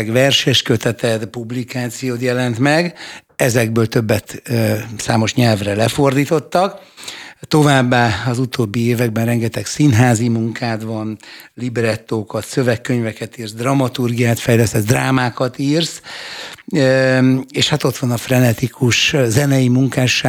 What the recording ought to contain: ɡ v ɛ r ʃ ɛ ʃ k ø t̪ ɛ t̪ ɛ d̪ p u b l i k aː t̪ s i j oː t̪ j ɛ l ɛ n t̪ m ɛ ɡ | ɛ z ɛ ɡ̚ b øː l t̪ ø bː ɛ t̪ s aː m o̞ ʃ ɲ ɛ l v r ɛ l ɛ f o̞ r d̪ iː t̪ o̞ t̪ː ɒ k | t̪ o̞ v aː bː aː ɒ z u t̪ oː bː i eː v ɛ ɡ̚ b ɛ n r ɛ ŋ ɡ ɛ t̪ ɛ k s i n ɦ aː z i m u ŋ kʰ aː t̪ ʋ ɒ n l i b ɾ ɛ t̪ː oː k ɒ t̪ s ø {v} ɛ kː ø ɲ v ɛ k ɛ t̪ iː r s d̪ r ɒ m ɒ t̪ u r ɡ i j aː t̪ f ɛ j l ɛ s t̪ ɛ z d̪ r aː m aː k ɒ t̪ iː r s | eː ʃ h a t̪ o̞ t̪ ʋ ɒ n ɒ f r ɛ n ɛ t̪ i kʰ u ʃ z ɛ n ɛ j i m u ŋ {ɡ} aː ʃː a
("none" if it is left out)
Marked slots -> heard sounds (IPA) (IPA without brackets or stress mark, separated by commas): v, k